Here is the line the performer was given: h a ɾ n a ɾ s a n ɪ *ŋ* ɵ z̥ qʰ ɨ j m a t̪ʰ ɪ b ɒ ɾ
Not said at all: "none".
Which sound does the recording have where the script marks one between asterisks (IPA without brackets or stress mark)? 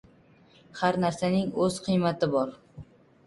ŋ